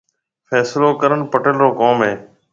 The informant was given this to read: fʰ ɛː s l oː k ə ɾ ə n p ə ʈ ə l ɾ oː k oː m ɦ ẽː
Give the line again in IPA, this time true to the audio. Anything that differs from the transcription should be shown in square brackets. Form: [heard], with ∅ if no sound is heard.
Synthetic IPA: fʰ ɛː s l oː k ə ɾ ə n p ə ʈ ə l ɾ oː k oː m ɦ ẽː